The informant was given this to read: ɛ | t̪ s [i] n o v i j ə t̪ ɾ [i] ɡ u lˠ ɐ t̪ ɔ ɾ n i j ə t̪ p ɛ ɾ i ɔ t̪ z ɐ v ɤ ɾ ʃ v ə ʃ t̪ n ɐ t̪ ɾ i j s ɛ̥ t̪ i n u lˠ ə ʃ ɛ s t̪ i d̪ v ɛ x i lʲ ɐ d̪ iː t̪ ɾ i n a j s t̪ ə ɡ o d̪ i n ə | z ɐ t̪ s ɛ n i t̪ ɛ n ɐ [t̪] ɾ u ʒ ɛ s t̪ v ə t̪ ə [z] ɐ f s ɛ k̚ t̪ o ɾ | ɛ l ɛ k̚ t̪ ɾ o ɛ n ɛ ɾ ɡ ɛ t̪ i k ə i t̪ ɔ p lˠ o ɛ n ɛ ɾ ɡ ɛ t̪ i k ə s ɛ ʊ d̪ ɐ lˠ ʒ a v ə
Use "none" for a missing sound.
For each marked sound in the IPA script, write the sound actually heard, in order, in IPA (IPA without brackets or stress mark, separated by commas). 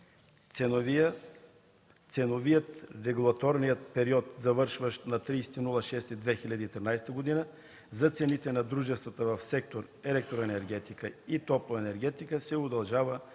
ɛ, ɛ, d̪, v